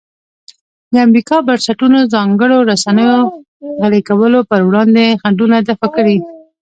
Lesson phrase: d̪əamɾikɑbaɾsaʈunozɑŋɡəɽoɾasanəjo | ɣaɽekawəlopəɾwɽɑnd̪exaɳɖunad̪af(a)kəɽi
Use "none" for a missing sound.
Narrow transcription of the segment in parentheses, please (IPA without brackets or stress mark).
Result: a